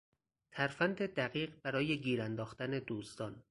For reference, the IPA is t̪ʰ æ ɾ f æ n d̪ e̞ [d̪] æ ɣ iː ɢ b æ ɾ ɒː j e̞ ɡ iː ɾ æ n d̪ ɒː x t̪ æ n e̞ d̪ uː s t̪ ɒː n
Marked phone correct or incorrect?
correct